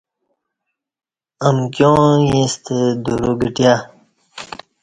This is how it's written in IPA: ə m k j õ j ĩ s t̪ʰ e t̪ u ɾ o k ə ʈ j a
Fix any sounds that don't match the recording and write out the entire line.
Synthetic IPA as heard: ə m k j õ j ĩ s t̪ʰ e d̪ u ɾ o ɡ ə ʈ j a